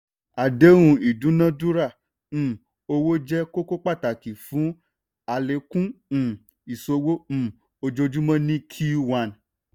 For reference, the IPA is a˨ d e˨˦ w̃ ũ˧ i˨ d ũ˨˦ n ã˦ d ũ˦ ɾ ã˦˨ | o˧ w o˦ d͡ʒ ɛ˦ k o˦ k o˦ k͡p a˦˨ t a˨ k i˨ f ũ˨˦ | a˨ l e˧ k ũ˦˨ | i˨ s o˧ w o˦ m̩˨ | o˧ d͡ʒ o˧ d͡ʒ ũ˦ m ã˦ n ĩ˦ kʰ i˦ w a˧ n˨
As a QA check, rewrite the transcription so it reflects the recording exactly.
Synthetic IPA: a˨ d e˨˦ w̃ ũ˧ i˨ d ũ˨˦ n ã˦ d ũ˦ ɾ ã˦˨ | o˧ w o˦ d͡ʒ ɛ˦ k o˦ k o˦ k͡p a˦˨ t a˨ k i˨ f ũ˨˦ | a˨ l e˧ k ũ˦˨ | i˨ s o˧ w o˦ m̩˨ | o˧ d͡ʒ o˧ d͡ʒ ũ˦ m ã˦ n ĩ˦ kʰ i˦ w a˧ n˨